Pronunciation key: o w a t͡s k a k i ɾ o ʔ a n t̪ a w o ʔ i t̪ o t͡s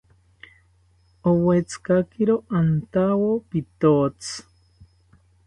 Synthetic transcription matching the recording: o w e t͡s k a k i ɾ o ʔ a n t̪ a w o p i t̪ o t͡s